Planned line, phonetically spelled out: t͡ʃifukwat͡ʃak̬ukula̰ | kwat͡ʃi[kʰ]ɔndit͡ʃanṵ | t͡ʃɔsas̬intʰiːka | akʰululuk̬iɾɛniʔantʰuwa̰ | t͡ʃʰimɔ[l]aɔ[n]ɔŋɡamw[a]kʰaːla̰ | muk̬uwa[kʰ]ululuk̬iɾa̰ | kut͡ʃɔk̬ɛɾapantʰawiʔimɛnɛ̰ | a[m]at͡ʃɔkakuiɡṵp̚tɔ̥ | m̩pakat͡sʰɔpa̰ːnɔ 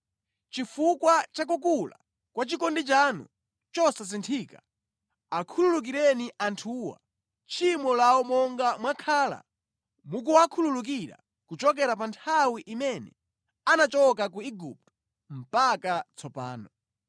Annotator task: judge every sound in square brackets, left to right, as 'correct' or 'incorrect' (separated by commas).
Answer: incorrect, correct, incorrect, correct, correct, incorrect